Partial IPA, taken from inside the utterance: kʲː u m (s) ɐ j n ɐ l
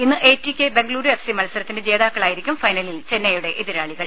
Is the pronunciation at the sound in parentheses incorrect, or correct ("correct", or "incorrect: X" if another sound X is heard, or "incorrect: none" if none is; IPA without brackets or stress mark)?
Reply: incorrect: f